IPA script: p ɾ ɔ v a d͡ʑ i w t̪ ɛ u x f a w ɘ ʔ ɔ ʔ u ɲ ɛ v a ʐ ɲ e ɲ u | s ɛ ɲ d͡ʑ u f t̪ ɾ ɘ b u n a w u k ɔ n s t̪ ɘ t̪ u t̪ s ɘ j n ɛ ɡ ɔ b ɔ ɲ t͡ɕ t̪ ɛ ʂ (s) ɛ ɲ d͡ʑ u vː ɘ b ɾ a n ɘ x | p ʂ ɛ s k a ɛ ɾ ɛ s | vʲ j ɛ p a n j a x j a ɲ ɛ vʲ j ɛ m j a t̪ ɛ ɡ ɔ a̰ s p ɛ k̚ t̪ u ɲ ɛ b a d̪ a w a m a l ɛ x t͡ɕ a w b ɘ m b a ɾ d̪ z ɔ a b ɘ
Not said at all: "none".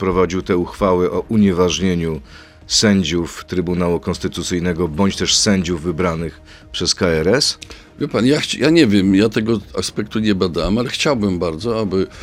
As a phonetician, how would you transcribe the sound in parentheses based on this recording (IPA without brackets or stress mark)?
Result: s